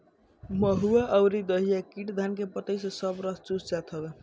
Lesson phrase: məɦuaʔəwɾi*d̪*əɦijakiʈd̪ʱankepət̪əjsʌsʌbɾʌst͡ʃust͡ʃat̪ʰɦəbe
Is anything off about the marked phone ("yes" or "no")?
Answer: no